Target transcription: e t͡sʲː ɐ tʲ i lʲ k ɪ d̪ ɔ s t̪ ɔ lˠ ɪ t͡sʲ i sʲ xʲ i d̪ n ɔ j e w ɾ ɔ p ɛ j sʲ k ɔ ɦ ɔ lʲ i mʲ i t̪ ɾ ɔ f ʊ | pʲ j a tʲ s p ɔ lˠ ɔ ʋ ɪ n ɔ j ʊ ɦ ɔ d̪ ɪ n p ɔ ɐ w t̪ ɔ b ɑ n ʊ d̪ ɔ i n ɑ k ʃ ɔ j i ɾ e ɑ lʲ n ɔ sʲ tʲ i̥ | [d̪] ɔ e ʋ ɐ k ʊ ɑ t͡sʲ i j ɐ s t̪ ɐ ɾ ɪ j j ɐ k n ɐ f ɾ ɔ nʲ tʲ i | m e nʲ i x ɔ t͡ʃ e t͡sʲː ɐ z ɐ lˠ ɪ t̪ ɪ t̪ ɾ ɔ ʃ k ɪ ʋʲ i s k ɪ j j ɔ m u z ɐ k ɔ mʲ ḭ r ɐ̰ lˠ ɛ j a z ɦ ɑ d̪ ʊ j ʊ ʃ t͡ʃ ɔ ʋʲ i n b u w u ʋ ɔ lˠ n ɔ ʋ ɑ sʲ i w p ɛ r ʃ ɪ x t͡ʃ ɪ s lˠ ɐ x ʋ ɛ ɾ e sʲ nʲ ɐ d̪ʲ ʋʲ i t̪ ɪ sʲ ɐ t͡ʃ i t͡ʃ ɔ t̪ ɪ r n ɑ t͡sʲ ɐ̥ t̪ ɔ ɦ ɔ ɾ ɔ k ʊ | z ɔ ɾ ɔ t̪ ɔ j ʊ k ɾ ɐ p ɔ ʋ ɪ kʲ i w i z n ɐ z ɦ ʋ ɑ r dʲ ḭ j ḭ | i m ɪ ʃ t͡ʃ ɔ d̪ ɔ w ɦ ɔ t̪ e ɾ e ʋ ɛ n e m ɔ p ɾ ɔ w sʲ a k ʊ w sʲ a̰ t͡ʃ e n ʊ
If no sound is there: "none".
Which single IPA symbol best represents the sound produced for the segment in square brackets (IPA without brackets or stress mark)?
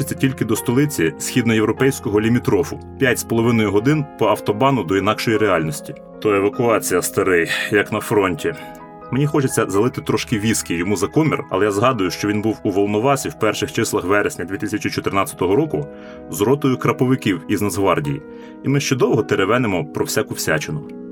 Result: t̪